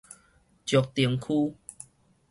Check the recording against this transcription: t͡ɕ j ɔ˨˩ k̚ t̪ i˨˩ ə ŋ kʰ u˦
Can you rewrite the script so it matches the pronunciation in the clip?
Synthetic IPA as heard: t͡ɕ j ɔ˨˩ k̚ t̪ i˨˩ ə ŋ kʰ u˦